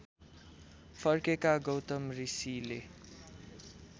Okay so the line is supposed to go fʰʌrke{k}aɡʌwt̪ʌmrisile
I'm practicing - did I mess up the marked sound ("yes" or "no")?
no